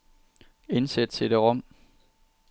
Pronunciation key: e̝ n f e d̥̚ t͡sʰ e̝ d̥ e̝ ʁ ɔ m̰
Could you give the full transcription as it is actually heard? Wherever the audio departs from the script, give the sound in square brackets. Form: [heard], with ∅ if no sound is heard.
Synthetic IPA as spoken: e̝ n [s] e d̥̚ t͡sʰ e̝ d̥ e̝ ʁ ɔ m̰